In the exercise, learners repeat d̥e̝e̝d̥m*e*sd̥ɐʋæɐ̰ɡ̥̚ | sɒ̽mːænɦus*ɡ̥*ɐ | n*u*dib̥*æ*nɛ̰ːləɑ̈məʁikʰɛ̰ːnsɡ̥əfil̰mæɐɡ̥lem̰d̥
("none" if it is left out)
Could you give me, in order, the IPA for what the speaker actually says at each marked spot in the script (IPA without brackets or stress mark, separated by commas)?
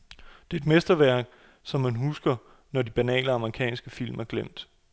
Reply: e, ɡ̥, ɒ, æ